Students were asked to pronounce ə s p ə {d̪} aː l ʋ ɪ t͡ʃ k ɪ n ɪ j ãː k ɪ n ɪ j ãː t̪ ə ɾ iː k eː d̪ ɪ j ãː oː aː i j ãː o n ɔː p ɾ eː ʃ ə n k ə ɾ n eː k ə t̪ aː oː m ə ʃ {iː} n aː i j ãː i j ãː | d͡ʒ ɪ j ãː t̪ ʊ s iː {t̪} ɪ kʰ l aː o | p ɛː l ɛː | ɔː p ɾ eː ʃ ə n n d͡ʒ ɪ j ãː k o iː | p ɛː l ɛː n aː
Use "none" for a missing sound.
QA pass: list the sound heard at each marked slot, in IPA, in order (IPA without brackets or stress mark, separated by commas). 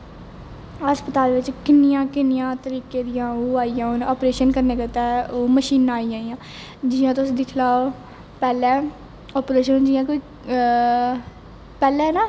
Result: t̪, iː, d̪